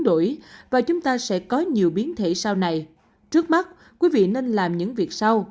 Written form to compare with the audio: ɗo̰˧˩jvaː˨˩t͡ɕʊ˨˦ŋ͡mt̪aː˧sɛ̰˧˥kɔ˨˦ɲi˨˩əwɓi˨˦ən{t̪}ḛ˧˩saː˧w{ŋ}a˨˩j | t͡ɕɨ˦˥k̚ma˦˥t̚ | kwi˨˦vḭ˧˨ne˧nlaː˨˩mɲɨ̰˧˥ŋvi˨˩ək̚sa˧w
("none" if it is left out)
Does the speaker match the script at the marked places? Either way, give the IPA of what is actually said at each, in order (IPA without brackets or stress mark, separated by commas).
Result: t̪ʰ, n